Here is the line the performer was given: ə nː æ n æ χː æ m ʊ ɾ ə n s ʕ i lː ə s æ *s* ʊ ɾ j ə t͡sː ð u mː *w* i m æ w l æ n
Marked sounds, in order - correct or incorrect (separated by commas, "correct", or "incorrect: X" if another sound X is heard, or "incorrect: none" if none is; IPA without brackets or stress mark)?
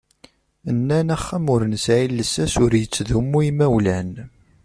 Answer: correct, incorrect: u